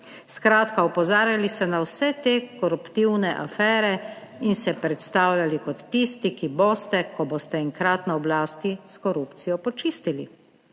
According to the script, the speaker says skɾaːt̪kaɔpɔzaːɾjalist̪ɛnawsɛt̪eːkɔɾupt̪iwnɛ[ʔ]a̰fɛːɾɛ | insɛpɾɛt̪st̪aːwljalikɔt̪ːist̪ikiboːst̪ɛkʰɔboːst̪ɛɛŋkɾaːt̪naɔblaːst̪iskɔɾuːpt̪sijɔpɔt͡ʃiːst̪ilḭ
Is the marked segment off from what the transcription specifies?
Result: no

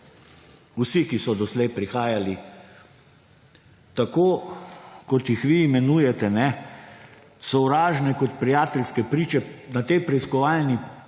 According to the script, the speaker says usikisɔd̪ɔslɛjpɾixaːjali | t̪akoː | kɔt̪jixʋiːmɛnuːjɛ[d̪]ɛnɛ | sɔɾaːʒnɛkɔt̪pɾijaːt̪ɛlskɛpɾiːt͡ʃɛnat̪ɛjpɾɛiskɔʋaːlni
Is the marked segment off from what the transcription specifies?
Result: yes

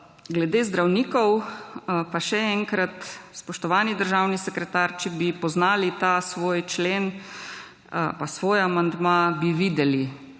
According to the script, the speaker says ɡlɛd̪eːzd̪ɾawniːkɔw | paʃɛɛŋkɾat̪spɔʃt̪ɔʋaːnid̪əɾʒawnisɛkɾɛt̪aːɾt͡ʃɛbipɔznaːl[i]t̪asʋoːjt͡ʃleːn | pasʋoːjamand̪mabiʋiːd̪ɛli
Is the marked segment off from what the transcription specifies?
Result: no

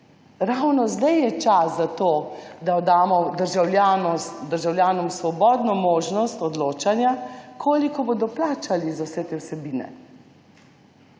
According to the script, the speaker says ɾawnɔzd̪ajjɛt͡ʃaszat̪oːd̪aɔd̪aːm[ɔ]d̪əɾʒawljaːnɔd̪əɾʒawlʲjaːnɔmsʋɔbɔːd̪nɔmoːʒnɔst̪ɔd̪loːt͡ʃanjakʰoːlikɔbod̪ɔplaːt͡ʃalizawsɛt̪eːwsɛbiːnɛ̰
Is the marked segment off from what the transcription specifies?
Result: no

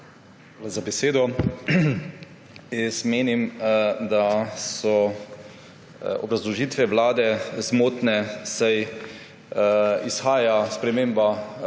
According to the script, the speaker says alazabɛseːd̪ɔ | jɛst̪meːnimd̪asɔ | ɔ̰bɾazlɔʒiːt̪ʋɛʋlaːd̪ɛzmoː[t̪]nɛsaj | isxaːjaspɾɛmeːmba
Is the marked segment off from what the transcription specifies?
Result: no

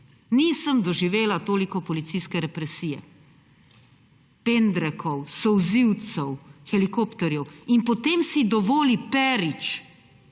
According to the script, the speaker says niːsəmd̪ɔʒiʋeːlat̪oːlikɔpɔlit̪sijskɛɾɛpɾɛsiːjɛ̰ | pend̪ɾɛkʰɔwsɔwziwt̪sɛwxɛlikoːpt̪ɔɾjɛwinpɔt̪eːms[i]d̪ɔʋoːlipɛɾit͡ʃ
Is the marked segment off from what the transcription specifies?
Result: no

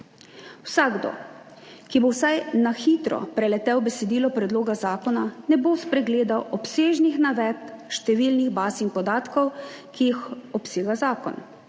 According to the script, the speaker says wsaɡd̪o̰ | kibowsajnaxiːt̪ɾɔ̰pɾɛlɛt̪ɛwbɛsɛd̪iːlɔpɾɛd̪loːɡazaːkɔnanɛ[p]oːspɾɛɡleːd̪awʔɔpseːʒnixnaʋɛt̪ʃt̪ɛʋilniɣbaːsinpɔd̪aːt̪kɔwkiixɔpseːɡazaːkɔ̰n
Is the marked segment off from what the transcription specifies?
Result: yes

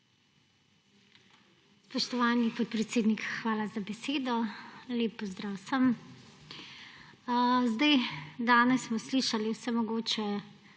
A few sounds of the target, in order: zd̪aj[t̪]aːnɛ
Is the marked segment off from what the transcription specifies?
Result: yes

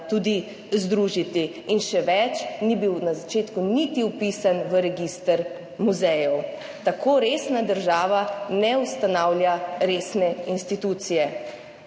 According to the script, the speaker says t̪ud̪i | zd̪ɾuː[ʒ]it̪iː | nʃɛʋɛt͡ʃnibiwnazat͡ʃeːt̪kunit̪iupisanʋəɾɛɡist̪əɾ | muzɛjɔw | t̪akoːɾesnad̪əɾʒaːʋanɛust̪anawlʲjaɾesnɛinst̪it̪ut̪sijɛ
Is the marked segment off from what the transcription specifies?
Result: no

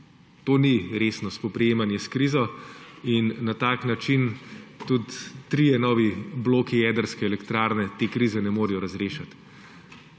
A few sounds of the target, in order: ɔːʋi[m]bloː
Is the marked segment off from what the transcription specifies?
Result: yes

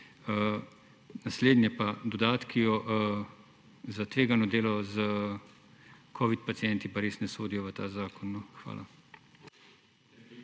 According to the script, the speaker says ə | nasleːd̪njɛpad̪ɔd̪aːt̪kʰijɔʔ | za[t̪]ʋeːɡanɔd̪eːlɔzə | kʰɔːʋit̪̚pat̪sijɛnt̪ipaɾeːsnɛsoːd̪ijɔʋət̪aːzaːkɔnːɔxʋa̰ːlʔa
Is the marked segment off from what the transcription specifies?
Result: no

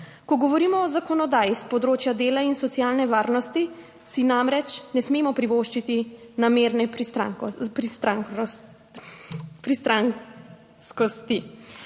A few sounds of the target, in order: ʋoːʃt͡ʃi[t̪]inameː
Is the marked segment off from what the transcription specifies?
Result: no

